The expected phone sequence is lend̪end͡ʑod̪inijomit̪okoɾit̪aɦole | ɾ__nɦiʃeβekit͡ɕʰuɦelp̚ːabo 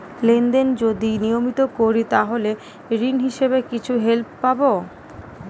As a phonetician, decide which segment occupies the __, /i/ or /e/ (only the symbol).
i